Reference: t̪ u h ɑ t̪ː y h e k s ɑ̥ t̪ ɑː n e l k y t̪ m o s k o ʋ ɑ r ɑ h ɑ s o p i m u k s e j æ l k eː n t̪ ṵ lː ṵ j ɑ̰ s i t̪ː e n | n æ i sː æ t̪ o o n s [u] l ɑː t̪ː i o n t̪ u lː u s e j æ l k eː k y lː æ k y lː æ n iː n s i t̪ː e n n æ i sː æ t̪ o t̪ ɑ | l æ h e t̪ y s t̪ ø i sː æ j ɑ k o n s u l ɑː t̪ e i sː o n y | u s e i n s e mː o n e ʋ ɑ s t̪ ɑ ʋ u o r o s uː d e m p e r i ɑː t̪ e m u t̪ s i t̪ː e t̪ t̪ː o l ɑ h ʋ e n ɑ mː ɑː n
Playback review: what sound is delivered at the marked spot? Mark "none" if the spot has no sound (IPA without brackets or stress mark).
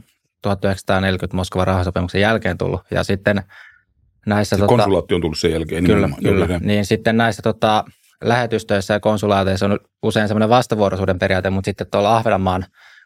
u